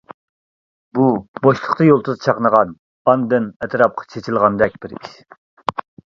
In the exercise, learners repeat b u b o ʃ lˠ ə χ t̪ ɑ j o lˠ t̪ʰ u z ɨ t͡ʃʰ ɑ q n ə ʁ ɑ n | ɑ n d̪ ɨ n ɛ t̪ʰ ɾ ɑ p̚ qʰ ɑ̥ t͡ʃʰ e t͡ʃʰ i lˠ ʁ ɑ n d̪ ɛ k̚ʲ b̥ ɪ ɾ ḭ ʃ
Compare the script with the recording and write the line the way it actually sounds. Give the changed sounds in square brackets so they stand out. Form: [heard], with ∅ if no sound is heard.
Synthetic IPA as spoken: b u b o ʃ lˠ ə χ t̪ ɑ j o lˠ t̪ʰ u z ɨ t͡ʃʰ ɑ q n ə ʁ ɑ n | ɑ n d̪ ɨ n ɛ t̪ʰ ɾ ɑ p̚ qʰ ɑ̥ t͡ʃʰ e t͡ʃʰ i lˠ ʁ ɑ n d̪ ɛ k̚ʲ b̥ ɪ ɾ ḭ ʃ